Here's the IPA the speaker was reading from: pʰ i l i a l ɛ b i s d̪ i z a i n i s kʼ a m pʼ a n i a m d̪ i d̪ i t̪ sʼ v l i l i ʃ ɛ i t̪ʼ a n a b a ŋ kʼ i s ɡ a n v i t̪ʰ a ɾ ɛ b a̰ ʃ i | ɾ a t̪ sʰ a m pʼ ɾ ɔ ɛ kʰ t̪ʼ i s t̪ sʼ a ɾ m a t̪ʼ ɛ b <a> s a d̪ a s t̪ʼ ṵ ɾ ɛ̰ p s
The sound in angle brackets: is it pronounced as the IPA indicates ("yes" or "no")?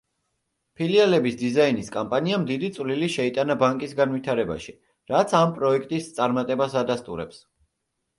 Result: yes